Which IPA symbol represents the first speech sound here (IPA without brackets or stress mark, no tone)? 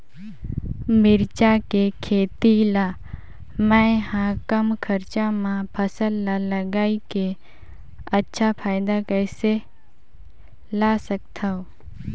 m